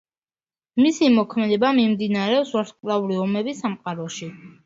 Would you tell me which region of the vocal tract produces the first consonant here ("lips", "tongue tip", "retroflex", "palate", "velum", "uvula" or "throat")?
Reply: lips